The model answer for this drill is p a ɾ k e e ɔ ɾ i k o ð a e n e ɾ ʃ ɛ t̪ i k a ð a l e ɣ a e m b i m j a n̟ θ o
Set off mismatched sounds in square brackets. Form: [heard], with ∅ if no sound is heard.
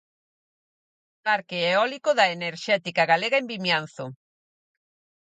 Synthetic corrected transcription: p a ɾ k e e ɔ [l] i k o ð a e n e ɾ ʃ ɛ t̪ i k a [ɣ] a l e ɣ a e m b i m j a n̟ θ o